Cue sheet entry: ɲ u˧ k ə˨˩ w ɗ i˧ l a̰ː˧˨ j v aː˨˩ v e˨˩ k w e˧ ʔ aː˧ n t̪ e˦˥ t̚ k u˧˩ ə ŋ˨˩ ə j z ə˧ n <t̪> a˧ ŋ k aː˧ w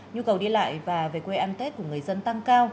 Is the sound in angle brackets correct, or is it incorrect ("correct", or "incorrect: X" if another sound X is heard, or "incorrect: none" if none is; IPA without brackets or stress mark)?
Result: correct